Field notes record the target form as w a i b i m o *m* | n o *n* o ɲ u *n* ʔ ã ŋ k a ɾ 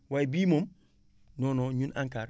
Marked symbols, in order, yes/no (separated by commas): yes, yes, yes